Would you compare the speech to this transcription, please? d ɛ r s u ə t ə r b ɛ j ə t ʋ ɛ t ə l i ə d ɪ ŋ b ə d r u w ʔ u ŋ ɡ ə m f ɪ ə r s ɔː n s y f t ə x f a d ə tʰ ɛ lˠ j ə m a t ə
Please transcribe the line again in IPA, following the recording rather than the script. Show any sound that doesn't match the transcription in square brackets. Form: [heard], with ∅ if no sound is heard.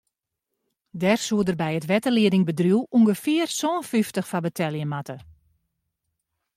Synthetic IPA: d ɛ r s u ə [d] ə r b ɛ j ə t ʋ ɛ t ə l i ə d ɪ ŋ b ə d r u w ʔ u ŋ ɡ ə [∅] f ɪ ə r s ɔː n [f] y f t ə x f a [b] ə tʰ ɛ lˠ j ə m a t ə